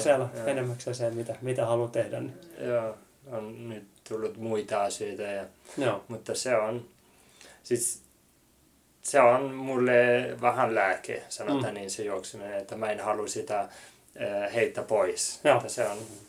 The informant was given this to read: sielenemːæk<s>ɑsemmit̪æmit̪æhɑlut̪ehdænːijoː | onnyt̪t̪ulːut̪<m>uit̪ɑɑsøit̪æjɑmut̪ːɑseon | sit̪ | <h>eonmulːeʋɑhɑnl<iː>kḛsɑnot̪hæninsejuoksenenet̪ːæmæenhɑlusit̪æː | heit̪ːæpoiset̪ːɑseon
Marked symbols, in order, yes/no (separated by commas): yes, yes, no, no